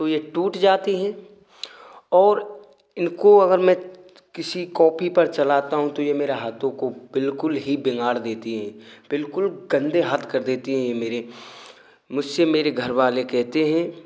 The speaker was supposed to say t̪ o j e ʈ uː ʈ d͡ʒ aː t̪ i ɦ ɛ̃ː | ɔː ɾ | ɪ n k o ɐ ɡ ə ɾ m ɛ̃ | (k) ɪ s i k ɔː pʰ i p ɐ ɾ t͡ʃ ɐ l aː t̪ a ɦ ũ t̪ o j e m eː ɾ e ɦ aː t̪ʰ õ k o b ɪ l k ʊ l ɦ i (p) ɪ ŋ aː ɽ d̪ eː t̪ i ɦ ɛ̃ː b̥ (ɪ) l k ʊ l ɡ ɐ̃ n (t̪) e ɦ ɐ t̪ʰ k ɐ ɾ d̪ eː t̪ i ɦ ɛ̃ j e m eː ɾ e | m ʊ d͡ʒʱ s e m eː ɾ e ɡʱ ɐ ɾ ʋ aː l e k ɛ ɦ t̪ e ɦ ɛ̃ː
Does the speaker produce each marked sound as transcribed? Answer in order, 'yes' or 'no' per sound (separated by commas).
yes, no, yes, no